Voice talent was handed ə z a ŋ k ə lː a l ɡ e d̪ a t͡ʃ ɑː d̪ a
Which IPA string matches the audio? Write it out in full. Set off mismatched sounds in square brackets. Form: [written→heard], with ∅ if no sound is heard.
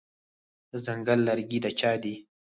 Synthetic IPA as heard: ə z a ŋ [k→ɡ] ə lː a [l→ɾ] ɡ [e→i] d̪ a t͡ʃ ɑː d̪ [a→i]